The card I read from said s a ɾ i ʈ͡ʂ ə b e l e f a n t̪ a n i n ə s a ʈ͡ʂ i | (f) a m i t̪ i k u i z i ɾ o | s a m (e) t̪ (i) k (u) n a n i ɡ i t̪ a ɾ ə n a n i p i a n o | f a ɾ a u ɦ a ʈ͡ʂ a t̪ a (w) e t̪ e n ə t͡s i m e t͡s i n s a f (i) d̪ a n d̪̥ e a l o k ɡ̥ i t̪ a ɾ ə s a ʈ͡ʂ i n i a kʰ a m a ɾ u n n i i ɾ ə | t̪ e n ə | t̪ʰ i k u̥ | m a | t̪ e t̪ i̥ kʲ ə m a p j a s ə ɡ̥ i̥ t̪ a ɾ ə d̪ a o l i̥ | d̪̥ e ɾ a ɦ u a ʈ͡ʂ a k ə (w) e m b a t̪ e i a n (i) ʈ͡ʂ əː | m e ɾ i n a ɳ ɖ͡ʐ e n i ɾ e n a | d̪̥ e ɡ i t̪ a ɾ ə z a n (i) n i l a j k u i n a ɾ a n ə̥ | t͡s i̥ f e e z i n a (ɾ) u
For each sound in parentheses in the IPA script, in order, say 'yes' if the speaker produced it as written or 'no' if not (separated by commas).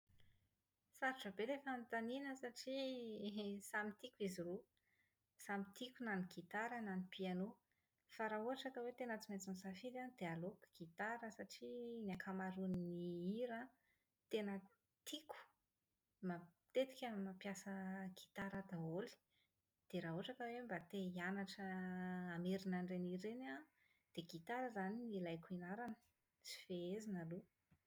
no, no, yes, yes, yes, yes, yes, no, yes, no